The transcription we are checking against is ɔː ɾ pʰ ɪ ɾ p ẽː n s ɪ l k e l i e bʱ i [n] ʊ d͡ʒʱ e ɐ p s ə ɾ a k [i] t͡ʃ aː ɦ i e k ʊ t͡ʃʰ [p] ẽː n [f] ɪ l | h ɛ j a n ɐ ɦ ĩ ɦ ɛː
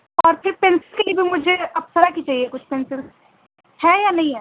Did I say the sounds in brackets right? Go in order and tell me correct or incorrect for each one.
incorrect, correct, correct, incorrect

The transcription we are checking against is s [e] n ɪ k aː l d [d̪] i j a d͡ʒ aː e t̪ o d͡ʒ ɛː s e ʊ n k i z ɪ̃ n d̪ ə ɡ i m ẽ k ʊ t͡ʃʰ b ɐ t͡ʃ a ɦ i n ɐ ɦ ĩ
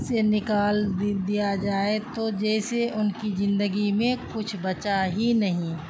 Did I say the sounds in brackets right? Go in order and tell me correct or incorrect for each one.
correct, correct

